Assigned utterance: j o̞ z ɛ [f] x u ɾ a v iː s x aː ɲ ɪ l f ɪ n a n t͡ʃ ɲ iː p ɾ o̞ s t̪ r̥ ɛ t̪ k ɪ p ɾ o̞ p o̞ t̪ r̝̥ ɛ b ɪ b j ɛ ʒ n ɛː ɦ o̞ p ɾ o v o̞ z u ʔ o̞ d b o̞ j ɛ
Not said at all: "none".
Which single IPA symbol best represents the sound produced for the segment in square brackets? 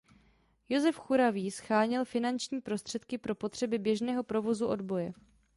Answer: f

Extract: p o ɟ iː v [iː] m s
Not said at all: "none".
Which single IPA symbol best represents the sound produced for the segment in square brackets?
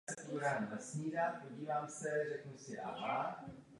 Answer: aː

